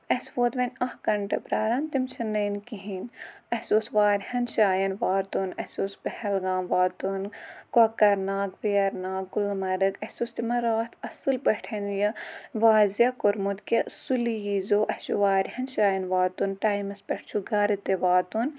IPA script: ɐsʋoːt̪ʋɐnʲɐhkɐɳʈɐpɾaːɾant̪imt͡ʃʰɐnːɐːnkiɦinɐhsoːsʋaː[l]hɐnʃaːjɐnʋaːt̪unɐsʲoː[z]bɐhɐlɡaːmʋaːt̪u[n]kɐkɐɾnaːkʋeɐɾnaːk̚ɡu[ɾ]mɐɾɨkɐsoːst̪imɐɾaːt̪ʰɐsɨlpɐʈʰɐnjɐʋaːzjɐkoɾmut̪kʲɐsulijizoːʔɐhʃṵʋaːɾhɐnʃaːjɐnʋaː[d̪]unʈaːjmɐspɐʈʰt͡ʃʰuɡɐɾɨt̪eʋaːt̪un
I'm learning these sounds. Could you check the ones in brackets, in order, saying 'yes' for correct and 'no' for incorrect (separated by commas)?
no, no, yes, no, no